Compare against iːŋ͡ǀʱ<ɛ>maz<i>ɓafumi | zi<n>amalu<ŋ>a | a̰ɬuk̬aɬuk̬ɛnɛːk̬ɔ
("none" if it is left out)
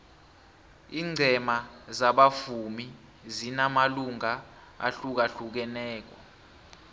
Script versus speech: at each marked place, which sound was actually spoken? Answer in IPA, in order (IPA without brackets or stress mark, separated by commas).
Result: ɛ, a, n, ŋ